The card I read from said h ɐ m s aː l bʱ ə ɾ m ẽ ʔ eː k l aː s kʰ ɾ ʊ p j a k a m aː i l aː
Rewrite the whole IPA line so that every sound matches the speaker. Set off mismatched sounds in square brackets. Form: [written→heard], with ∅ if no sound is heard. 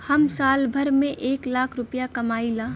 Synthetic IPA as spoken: h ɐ m s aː l bʱ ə ɾ m ẽ ʔ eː k l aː [s→∅] kʰ ɾ ʊ p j a k [a→ɐ] m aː i l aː